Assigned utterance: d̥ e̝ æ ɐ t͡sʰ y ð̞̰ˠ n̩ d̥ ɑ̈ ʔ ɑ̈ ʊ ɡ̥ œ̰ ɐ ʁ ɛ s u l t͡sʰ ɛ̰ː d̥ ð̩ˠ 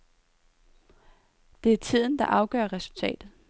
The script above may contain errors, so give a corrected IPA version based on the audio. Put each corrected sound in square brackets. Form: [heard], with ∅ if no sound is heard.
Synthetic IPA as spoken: d̥ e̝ æ ɐ t͡sʰ [i] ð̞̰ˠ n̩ d̥ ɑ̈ ʔ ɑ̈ ʊ ɡ̥ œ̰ ɐ ʁ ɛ s u l t͡sʰ ɛ̰ː d̥ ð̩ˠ